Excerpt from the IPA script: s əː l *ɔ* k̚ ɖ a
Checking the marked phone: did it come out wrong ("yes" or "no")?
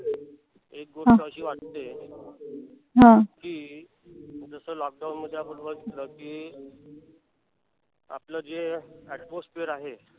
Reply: no